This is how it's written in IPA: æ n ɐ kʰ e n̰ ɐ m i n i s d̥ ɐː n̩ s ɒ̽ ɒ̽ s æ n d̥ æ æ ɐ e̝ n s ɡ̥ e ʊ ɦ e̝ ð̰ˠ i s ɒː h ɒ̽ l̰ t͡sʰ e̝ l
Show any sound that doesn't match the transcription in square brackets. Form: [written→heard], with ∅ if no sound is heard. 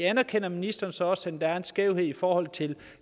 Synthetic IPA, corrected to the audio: æ n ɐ kʰ e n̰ ɐ m i n i s d̥ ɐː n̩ s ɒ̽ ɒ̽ s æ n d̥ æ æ ɐ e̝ n s ɡ̥ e ʊ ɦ e̝ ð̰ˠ i [s→f] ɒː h ɒ̽ l̰ t͡sʰ e̝ l

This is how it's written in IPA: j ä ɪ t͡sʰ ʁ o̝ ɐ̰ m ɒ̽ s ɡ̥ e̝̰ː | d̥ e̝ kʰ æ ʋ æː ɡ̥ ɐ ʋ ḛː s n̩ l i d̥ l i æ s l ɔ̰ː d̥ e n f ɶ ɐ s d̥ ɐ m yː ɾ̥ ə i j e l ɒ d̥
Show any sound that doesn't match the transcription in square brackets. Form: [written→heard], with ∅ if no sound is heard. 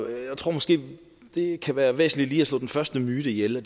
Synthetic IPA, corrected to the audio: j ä ɪ t͡sʰ ʁ o̝ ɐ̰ m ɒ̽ s ɡ̥ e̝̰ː | d̥ e̝ kʰ æ ʋ æː [ɡ̥→∅] ɐ ʋ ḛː s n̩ l i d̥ l [i→iː] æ s l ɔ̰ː d̥ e n f ɶ ɐ s d̥ [ɐ→ə] m yː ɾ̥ ə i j e l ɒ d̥

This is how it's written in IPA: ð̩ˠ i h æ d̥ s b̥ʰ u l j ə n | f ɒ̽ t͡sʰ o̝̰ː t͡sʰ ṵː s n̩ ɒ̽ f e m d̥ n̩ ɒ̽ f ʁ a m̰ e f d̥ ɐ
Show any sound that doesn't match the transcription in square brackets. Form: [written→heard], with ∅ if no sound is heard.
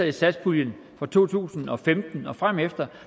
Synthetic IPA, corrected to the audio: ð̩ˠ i [h→s] æ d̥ s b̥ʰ u l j ə n | f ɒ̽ t͡sʰ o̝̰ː t͡sʰ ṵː s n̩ ɒ̽ f e m d̥ n̩ ɒ̽ f ʁ a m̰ e f d̥ ɐ

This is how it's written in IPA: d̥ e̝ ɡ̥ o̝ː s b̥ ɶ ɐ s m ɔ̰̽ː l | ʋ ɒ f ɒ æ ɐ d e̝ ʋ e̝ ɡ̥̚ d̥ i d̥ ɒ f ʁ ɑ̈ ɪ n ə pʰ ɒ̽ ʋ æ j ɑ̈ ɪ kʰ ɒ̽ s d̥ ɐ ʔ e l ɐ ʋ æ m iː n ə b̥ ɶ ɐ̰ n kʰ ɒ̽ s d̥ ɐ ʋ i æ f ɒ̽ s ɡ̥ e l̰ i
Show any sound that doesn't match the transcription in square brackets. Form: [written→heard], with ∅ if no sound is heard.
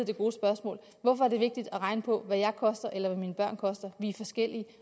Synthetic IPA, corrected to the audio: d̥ e̝ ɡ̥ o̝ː s b̥ ɶ ɐ s m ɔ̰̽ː l | ʋ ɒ f ɒ æ ɐ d e̝ ʋ e̝ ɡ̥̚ d̥ i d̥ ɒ [f→∅] ʁ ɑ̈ ɪ n ə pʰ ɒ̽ ʋ æ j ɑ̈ ɪ kʰ ɒ̽ s d̥ ɐ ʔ e l ɐ ʋ æ m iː n ə b̥ ɶ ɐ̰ n kʰ ɒ̽ s d̥ ɐ ʋ i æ f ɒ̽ s ɡ̥ e l̰ i

